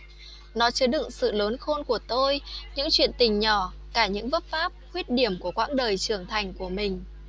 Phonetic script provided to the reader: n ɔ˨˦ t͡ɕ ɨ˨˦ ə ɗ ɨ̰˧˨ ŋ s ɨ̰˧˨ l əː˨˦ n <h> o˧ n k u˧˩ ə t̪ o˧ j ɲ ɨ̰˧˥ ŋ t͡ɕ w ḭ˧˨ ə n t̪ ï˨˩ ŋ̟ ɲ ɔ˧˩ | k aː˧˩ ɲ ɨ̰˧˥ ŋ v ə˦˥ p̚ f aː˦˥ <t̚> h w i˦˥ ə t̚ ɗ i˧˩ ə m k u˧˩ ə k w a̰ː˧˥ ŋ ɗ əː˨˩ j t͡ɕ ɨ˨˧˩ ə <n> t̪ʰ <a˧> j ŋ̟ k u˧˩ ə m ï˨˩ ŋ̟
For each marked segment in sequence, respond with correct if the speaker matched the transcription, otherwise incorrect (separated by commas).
incorrect, incorrect, incorrect, incorrect